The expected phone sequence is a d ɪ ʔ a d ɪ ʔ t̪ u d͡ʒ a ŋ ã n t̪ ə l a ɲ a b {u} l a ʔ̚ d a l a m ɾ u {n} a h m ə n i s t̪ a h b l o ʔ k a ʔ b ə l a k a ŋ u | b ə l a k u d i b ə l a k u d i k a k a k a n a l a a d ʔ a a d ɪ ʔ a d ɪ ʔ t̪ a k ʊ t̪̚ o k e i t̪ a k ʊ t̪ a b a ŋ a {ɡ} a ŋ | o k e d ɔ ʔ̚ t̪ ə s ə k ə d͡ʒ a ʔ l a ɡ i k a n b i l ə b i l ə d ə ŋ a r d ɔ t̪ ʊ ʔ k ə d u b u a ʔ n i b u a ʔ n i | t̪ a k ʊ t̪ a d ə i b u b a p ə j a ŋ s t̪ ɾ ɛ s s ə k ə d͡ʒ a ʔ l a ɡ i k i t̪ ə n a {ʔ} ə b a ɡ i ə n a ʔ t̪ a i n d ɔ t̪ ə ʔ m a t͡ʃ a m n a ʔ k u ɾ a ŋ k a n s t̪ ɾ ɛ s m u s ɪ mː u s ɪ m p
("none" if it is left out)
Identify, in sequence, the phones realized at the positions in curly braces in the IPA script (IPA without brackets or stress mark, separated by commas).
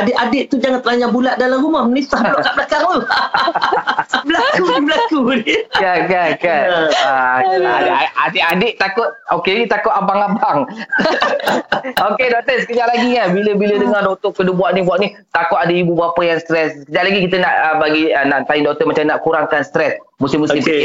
u, m, b, ʔ